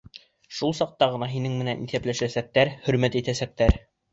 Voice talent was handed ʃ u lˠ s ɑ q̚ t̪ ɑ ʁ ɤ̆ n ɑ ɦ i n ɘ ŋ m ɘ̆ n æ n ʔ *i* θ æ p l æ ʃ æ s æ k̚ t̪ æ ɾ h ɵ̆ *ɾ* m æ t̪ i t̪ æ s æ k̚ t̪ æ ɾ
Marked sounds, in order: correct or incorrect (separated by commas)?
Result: correct, correct